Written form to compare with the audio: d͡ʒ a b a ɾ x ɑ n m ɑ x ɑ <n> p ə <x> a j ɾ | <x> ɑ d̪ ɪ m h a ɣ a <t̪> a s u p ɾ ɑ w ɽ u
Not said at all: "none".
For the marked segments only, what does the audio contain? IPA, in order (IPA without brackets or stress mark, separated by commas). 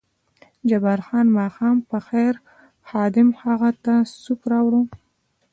m, x, x, t̪